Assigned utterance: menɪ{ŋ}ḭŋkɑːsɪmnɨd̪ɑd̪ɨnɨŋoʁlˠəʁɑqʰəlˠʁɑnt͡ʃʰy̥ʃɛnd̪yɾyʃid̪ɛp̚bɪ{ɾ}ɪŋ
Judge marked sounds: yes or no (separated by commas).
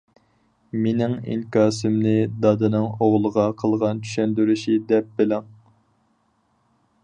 yes, no